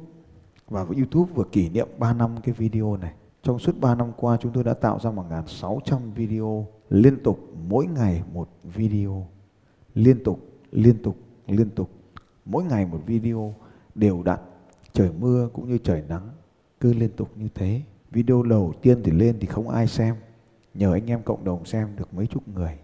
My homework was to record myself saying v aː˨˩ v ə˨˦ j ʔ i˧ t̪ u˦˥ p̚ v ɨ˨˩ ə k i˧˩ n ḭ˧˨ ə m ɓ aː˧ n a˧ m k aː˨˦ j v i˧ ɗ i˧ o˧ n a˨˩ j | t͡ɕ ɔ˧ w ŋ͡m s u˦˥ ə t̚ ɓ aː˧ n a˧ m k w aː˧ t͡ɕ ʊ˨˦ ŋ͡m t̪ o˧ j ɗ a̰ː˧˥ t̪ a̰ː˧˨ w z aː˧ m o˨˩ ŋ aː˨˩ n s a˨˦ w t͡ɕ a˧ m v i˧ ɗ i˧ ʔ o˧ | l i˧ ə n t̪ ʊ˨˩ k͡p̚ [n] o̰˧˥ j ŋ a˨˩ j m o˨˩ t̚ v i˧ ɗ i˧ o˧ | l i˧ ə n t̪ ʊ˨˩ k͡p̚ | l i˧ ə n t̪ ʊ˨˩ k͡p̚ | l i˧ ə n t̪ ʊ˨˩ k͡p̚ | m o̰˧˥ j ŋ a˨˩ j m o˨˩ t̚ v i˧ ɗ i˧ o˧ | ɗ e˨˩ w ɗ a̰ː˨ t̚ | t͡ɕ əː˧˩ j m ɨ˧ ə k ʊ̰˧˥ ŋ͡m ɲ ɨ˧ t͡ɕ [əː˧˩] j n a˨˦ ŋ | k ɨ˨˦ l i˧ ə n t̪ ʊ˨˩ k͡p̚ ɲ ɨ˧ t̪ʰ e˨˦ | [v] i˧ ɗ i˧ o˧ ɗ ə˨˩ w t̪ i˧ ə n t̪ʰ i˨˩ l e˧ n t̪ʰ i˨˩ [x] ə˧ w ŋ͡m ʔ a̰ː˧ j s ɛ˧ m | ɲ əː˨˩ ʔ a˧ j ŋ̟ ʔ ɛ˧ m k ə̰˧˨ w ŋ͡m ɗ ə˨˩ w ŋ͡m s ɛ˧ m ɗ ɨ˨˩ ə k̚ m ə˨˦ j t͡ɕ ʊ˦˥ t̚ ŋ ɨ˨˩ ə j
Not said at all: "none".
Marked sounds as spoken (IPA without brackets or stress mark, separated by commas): m, əː˧˩, v, x